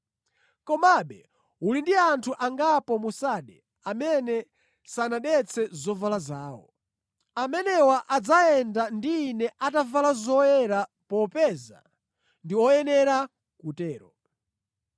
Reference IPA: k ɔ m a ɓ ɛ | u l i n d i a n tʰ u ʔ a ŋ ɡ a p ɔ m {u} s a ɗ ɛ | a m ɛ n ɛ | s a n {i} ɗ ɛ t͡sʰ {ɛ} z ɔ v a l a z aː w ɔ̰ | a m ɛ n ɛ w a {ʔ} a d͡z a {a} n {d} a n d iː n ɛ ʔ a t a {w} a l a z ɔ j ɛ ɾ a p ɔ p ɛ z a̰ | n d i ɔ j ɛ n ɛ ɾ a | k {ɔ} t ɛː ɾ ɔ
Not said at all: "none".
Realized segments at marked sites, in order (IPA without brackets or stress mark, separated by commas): u, a, ɛ, ʔ, ɛ, d, v, u